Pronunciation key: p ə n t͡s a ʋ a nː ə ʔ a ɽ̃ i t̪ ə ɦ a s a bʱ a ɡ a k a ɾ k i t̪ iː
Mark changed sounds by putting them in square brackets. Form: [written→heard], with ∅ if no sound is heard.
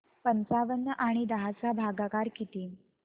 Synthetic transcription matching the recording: p ə n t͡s a ʋ [a→ə] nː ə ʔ a ɽ̃ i [t̪→d̪] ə ɦ a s a bʱ a ɡ a k a ɾ k i t̪ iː